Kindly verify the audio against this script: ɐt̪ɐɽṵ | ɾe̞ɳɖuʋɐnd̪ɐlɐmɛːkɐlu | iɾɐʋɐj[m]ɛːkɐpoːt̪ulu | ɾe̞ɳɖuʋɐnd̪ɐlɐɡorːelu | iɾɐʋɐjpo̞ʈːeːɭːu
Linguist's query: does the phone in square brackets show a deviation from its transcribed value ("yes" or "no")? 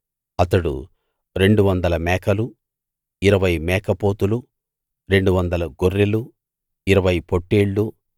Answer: no